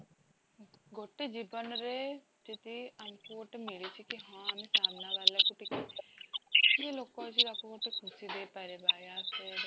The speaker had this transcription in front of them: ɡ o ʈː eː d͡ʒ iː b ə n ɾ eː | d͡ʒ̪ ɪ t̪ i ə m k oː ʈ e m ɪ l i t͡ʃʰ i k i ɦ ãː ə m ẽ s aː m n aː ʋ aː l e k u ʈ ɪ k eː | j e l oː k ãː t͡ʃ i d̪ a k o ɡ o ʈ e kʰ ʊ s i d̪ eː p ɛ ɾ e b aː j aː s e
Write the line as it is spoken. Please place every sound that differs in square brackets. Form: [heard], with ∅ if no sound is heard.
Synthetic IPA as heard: ɡ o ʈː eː d͡ʒ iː b ə n ɾ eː | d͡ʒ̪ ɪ t̪ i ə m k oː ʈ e m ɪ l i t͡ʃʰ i k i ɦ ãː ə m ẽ s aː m n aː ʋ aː l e k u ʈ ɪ k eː | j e l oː k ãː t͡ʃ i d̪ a k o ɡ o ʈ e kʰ ʊ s i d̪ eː p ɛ ɾ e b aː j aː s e